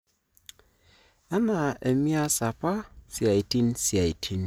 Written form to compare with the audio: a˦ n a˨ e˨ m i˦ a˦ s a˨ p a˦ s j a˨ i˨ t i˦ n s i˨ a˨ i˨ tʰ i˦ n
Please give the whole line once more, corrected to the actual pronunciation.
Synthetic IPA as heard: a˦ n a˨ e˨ m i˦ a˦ s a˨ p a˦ s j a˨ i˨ t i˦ n s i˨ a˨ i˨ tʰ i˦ n